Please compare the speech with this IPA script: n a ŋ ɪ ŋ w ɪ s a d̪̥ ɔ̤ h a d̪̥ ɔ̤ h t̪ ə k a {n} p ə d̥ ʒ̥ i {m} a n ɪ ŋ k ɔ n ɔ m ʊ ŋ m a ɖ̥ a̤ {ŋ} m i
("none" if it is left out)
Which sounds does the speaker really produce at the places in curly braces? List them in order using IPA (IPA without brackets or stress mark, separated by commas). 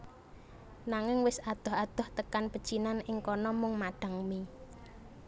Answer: n, n, ŋ